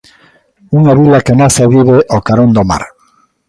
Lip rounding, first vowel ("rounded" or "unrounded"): rounded